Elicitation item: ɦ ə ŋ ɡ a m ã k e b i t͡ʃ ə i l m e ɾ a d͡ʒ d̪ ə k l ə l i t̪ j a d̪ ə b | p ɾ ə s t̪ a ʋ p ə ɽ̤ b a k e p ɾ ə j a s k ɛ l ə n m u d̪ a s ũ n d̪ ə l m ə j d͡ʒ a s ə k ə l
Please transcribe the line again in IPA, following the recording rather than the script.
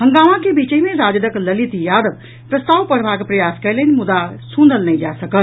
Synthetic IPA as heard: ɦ ə ŋ ɡ a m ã k e b i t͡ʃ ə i m e ɾ a d͡ʒ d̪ ə k l ə l i t̪ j a d̪ ə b | p ɾ ə s t̪ a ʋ p ə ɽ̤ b a k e p ɾ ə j a s k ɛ l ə n m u d̪ a s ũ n d̪ ə l n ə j d͡ʒ a s ə k ə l